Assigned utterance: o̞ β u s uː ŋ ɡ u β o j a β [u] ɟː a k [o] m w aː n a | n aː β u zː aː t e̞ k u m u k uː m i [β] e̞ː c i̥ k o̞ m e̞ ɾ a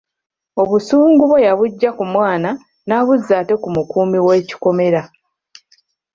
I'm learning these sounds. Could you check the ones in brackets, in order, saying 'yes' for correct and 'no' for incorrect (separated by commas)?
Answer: yes, no, no